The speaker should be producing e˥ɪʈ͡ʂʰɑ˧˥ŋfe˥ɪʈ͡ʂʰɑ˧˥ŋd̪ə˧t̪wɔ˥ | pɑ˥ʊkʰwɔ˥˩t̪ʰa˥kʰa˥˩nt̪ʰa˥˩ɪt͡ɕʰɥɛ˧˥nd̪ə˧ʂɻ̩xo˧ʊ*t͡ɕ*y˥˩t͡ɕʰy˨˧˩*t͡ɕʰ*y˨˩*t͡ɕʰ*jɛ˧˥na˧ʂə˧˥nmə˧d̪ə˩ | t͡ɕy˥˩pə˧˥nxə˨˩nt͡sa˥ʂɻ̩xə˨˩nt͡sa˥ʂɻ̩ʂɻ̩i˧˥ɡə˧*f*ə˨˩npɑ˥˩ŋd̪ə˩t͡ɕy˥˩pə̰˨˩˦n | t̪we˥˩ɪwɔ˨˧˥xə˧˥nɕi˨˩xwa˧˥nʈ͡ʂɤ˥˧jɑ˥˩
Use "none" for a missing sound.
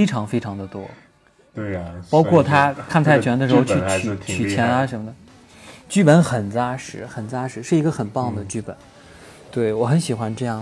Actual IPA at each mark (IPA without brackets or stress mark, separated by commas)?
t͡ɕʰ, t͡ɕʰ, t͡ɕʰ, x